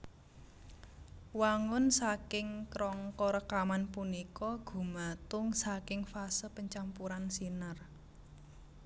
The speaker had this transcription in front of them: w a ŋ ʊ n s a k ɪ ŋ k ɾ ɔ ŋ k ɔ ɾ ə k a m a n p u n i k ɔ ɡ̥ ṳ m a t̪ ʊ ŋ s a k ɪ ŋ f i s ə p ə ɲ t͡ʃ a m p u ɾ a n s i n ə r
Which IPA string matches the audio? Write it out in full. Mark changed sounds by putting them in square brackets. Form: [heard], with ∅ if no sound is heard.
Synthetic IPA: w a ŋ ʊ n s a k ɪ ŋ k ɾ ɔ ŋ k ɔ ɾ ə k a m a n p u n i k ɔ ɡ̥ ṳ m a t̪ ʊ ŋ s a k ɪ ŋ f [a] s ə p ə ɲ t͡ʃ a m p u ɾ a n s i n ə r

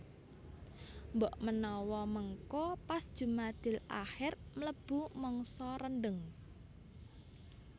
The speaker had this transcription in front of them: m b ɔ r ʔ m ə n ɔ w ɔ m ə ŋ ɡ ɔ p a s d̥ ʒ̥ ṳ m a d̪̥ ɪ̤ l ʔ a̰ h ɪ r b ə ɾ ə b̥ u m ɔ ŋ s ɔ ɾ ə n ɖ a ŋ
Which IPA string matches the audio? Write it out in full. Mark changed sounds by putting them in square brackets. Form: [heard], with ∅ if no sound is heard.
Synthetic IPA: m b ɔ [∅] ʔ m ə n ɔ w ɔ m ə ŋ [k] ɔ p a s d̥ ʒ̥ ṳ m a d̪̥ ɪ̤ l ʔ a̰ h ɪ r [m] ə [l] ə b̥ u m ɔ ŋ s ɔ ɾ ə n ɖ [ə] ŋ

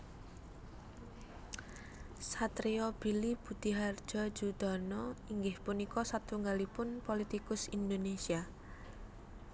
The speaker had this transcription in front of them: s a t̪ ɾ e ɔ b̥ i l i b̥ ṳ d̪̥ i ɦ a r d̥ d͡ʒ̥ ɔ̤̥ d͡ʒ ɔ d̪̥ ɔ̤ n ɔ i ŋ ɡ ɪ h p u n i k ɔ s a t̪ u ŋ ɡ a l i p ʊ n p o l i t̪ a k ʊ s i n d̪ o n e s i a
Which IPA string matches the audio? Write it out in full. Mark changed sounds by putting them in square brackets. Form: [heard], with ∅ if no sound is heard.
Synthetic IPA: s a t̪ ɾ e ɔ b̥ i l i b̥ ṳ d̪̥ i ɦ a r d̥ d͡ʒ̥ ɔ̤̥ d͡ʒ [u] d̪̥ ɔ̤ n ɔ i ŋ ɡ ɪ h p u n i k ɔ s a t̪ u ŋ ɡ a l i p ʊ n p o l i t̪ [i] k ʊ s i n d̪ o n e s i a

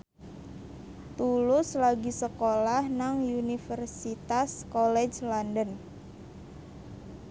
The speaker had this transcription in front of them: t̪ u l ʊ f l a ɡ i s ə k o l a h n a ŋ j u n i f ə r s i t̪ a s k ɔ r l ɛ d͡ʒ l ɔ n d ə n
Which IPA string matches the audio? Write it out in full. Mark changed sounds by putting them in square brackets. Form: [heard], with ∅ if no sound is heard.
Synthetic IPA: t̪ u l ʊ [s] l a ɡ i s ə k o l a h n a ŋ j u n i f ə r s i t̪ a s k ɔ [∅] l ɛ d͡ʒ l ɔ n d ə n

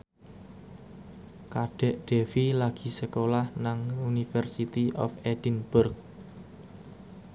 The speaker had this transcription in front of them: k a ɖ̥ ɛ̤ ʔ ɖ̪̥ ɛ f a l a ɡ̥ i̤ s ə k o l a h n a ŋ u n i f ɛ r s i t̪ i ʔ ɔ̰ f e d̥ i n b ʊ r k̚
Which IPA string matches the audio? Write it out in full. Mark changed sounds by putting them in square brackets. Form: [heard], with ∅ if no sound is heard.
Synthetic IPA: k a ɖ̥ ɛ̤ ʔ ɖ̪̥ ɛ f [i] l a ɡ̥ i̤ s ə k o l a h n a ŋ u n i f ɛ r s i t̪ i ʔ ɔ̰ f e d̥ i n b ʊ r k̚

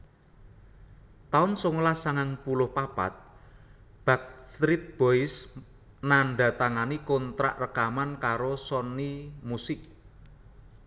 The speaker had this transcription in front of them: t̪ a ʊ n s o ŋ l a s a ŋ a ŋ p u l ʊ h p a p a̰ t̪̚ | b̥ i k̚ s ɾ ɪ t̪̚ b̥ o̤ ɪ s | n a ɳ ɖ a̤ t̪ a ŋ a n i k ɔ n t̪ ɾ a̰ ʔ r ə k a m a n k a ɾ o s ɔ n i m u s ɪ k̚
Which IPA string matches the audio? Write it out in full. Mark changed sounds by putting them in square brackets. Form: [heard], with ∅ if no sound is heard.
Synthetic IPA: t̪ a ʊ n s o ŋ l a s a ŋ a ŋ p u l ʊ h p a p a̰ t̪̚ | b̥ [a] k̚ s ɾ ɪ t̪̚ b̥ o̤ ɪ s | n a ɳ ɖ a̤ t̪ a ŋ a n i k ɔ n t̪ ɾ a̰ ʔ r ə k a m a n k a ɾ o s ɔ n i m u s ɪ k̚

